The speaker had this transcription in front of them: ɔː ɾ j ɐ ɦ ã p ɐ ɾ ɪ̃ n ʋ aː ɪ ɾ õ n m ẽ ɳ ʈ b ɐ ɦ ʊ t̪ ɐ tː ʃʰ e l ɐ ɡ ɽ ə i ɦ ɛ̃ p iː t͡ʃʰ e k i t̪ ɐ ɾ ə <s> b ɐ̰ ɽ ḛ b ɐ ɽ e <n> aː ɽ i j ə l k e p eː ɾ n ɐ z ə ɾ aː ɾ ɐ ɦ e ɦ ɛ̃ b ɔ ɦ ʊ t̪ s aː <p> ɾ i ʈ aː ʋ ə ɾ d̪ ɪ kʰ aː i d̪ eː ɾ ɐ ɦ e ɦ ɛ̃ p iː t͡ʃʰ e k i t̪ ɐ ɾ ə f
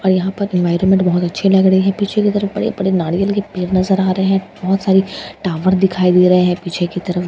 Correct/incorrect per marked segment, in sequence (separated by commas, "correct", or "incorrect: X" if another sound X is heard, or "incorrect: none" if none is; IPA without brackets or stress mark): incorrect: f, correct, incorrect: none